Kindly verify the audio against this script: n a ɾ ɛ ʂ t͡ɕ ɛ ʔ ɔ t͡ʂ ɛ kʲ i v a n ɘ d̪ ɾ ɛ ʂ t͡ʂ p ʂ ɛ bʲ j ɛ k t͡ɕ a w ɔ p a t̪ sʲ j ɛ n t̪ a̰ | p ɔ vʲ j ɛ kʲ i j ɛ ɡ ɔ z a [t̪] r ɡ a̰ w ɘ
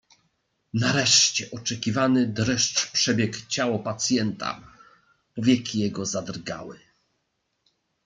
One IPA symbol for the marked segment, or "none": d̪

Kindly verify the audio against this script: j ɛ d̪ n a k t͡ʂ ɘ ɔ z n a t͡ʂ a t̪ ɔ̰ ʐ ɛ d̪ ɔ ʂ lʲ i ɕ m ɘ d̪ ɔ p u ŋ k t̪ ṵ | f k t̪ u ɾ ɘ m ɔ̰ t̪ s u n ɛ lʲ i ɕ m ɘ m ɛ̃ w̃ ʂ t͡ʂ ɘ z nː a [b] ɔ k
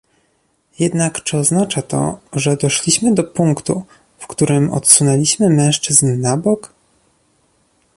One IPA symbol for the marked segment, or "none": b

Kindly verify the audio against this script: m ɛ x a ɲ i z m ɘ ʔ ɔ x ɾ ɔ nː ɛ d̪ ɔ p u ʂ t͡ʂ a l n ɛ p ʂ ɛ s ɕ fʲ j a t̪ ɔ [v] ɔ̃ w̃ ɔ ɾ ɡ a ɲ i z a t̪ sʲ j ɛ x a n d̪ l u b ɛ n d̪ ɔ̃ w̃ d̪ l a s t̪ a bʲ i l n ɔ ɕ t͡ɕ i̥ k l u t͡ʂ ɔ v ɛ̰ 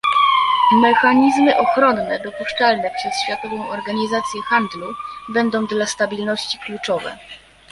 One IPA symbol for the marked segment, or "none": v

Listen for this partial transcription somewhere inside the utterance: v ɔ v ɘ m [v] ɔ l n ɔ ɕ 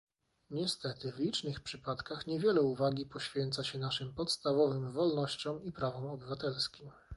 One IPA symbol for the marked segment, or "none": v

